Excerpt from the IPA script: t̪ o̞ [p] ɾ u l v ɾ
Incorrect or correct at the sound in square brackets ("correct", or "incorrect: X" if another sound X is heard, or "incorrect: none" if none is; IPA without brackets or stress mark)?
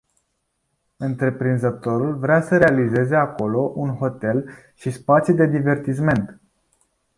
incorrect: none